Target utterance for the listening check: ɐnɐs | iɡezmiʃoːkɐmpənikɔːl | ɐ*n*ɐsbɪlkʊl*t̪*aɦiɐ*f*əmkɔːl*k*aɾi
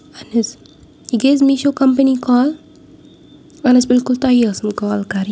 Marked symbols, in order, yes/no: yes, yes, no, yes

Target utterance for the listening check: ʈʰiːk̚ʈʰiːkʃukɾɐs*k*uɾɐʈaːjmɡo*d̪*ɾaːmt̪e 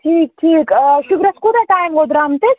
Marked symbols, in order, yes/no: yes, yes

